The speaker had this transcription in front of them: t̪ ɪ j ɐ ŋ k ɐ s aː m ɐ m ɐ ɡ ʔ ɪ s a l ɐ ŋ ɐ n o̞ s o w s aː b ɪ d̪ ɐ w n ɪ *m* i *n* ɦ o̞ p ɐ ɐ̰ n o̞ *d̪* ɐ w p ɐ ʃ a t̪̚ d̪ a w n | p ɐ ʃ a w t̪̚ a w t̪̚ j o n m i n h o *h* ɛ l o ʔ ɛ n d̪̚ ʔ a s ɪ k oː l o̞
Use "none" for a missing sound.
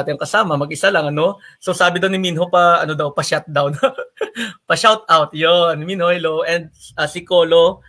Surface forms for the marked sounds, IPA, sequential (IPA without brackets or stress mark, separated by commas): m, n, d̪, h